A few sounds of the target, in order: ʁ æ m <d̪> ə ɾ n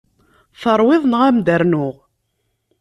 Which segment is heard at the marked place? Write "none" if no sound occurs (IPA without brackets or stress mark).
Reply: d̪